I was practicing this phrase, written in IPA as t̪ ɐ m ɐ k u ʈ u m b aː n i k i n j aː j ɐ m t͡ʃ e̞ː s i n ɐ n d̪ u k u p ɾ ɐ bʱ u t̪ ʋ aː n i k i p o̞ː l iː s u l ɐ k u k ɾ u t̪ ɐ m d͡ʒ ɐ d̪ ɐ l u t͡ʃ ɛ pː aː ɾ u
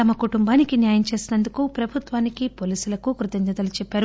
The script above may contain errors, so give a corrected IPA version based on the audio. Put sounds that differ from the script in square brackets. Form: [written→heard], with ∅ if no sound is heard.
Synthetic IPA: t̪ ɐ m ɐ k u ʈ u m b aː n i k i n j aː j ɐ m t͡ʃ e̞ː s i n ɐ n d̪ u k u p ɾ ɐ bʱ u t̪ ʋ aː n i k i p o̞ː l iː s u l ɐ k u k ɾ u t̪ ɐ [m→ɲ] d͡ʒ ɐ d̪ ɐ l u t͡ʃ ɛ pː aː ɾ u